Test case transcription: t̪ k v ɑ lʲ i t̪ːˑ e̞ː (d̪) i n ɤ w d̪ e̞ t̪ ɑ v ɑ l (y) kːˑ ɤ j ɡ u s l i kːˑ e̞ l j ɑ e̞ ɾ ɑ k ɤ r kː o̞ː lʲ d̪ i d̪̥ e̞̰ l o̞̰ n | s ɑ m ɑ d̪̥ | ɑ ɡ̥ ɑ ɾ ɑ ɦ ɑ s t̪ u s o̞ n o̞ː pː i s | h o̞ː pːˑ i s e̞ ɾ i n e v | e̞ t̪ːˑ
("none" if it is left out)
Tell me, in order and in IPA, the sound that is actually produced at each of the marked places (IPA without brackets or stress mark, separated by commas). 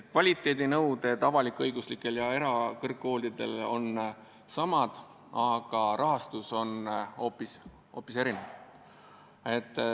d̪, i